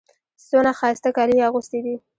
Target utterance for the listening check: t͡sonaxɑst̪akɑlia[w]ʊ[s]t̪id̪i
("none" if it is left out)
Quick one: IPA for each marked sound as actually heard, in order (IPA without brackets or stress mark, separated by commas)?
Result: ɣ, s